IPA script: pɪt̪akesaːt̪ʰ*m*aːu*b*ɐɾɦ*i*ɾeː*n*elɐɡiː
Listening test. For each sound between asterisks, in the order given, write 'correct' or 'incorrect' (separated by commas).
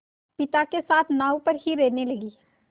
incorrect, incorrect, correct, correct